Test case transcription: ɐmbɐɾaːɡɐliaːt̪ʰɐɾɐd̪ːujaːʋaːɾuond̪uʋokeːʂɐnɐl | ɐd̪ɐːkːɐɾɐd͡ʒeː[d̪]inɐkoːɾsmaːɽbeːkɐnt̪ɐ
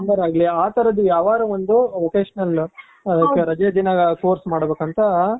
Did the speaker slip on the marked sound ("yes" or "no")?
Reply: no